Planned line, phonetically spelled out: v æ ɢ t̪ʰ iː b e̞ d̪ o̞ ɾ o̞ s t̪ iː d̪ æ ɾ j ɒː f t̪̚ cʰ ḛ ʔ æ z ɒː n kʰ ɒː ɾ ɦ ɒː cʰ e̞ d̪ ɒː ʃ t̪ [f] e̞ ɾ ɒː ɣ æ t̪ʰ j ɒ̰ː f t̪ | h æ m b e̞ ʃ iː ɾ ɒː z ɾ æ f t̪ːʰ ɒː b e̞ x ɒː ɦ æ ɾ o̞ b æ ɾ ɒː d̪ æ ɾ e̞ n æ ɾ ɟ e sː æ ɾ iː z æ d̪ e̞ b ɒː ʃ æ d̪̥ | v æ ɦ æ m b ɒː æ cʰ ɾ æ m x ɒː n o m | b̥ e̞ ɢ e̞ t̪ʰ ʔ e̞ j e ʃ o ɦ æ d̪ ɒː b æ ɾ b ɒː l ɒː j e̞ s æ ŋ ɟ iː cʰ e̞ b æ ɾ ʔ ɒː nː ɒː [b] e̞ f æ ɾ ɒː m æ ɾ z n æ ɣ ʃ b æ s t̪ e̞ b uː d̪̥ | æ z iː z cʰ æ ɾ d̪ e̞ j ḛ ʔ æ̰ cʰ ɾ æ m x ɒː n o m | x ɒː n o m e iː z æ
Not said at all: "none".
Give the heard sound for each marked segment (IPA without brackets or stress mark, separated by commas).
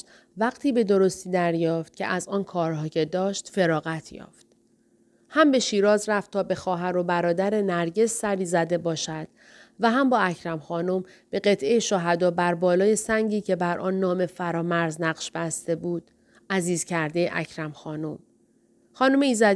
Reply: f, m